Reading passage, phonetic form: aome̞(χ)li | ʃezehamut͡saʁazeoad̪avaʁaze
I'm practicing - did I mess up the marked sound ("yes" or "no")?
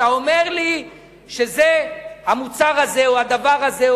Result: yes